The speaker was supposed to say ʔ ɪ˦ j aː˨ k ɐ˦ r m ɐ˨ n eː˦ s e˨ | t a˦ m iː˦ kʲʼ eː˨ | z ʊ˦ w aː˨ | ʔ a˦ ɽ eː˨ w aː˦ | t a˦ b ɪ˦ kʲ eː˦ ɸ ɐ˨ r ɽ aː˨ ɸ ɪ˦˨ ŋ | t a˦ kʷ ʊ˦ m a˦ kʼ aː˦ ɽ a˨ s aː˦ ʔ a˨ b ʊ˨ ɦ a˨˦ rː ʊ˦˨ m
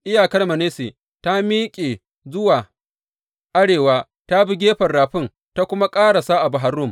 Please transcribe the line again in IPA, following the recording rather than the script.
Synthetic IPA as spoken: ʔ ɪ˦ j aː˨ k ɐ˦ r m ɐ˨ n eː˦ s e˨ | t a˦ m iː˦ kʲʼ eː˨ | z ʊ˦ w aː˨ | ʔ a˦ ɽ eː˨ w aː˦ | t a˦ b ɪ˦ ɡʲ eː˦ ɸ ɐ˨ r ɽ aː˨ ɸ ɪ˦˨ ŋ | t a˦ kʷ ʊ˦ m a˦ kʼ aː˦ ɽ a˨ s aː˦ ʔ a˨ b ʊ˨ ɦ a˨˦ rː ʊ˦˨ m